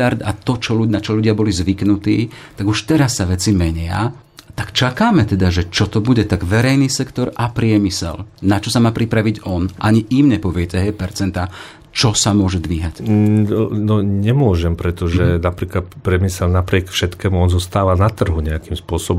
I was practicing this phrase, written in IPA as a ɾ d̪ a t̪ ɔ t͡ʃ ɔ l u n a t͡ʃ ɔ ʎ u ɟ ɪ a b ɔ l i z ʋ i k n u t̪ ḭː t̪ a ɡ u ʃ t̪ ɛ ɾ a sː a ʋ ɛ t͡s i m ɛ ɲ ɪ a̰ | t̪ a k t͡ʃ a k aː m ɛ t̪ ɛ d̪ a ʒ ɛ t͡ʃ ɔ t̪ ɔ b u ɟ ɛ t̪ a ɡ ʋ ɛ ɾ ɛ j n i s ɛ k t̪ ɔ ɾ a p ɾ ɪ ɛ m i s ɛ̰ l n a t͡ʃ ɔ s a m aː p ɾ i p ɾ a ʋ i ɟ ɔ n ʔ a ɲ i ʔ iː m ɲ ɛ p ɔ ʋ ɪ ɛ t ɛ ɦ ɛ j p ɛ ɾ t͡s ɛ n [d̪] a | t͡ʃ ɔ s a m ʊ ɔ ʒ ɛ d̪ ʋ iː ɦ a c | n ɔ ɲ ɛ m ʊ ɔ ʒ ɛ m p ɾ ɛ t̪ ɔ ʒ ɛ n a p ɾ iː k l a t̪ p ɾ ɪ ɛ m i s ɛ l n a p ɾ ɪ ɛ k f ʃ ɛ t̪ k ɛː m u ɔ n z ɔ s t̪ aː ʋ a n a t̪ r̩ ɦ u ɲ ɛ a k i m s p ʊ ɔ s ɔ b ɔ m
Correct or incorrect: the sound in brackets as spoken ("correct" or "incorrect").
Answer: incorrect